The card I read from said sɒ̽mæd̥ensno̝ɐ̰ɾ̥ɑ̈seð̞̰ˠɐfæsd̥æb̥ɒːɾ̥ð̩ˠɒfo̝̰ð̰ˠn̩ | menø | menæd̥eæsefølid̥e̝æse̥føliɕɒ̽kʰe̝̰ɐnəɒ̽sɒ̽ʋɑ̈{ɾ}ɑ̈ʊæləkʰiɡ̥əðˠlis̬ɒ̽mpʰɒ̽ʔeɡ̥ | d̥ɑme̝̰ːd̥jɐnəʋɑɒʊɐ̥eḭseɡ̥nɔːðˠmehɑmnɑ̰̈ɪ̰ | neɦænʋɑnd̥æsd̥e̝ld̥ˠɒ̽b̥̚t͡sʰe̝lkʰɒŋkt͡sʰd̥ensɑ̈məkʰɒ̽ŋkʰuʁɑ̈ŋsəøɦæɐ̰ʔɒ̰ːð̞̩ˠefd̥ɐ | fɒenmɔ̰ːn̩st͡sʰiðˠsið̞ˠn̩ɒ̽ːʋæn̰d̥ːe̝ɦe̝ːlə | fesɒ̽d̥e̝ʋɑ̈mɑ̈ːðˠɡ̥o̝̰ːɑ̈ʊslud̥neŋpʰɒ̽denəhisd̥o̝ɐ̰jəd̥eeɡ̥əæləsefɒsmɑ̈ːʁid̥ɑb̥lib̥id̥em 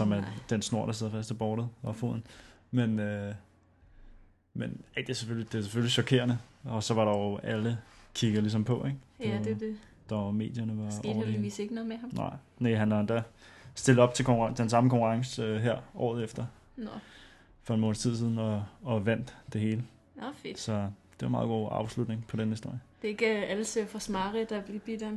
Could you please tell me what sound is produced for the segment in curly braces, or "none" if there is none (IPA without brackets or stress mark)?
ɾ